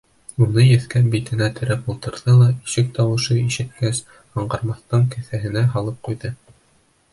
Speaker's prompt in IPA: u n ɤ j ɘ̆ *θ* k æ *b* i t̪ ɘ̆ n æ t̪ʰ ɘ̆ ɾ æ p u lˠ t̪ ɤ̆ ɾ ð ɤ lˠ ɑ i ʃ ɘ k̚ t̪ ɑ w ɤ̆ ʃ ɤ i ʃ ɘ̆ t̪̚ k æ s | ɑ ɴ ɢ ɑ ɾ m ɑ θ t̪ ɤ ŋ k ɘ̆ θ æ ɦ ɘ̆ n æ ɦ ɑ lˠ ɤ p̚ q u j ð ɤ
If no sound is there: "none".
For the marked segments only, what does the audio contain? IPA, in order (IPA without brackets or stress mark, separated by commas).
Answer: θ, b